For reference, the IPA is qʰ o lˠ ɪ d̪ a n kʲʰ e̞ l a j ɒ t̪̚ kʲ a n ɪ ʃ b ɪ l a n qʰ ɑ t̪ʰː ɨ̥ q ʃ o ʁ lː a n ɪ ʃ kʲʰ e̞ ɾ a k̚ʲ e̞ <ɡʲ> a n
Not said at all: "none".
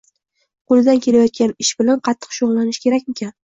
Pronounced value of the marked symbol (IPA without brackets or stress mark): kʲ